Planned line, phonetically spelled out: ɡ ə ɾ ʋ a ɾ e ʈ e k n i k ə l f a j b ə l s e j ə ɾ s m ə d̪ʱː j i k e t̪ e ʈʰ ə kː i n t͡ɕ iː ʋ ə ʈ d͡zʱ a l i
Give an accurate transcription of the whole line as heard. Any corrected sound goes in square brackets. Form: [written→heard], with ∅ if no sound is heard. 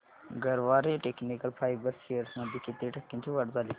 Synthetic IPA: ɡ ə ɾ ʋ a ɾ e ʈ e k n i k ə l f a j b ə [l→ɾ] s e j ə ɾ s m ə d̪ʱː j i k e t̪ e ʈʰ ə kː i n t͡ɕ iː ʋ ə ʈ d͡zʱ a l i